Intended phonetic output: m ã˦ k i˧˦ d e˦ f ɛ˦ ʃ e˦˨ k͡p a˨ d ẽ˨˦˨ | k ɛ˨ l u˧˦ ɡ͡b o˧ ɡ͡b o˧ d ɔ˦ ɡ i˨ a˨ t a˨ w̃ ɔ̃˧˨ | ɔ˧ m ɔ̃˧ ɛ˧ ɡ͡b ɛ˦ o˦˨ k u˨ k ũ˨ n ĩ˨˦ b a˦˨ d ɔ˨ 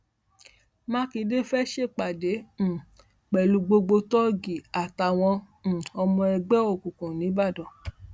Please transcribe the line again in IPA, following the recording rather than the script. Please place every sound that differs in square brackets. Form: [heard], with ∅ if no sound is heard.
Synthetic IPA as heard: m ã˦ k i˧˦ d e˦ f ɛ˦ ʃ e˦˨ k͡p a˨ d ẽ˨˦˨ | [k͡p] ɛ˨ l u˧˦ ɡ͡b o˧ ɡ͡b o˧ [t] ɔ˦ ɡ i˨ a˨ t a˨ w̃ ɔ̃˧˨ | ɔ˧ m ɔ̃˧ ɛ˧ ɡ͡b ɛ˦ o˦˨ k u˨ k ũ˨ n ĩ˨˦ b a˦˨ d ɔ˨